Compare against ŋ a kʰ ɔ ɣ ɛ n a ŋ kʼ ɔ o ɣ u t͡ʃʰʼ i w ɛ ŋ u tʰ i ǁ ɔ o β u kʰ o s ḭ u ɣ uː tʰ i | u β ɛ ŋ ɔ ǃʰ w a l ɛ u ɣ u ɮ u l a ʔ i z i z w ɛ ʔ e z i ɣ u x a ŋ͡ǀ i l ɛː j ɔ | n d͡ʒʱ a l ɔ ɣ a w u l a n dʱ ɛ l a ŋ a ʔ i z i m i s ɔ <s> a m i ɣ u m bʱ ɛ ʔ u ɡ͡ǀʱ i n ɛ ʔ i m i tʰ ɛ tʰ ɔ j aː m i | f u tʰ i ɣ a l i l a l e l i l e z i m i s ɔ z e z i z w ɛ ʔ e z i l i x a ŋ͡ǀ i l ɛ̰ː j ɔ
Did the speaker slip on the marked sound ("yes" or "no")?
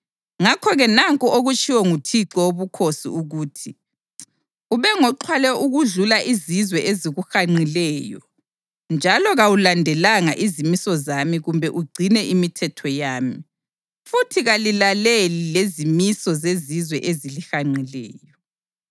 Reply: yes